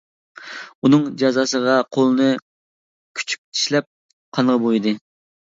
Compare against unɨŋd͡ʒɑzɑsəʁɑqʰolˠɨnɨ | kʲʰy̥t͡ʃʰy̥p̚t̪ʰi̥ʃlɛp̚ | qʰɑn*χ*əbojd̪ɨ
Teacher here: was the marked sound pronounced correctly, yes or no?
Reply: no